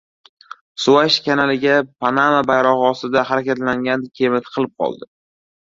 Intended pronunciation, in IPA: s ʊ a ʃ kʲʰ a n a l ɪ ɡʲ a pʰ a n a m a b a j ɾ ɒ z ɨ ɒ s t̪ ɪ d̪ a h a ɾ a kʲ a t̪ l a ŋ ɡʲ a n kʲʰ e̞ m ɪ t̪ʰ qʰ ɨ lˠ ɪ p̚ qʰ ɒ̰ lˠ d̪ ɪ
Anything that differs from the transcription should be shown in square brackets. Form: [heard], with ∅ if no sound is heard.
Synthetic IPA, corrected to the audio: s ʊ a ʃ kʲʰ a n a l ɪ ɡʲ a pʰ a n a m a b a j ɾ ɒ [ʁ] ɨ ɒ s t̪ ɪ d̪ a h a ɾ a kʲ a t̪ l a ŋ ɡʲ a n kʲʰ e̞ m ɪ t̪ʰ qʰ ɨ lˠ ɪ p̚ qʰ ɒ̰ lˠ d̪ ɪ